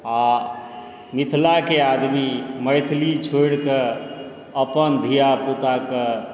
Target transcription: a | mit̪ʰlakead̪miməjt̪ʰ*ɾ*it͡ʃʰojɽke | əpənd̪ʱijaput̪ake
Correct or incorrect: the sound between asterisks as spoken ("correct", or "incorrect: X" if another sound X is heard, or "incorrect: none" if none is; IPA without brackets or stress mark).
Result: incorrect: l